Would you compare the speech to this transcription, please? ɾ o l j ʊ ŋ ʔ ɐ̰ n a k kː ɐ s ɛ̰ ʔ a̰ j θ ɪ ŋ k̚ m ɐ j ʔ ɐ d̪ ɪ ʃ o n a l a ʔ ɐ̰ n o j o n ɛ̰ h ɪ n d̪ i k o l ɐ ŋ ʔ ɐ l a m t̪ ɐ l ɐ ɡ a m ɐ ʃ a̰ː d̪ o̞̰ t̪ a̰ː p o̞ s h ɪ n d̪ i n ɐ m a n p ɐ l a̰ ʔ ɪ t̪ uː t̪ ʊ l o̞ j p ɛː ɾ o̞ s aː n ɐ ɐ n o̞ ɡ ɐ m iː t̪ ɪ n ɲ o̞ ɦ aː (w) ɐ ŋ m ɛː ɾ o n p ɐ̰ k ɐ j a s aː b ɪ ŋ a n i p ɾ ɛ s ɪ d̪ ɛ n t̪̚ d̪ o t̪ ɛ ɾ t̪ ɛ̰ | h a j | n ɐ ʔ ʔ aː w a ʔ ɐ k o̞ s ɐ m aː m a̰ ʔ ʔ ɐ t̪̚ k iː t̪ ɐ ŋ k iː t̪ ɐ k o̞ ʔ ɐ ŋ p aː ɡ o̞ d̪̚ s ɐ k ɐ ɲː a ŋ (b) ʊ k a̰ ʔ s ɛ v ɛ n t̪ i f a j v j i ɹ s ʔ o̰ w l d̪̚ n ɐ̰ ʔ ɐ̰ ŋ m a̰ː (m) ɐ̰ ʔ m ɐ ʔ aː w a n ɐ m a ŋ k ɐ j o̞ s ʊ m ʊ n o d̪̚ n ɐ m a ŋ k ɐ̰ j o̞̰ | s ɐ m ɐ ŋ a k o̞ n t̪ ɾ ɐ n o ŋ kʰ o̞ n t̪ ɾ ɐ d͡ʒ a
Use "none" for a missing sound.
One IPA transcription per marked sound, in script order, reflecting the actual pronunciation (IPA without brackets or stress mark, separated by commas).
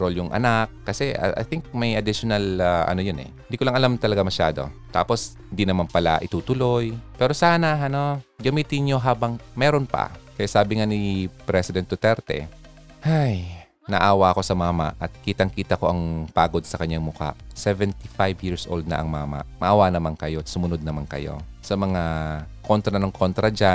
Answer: b, m, m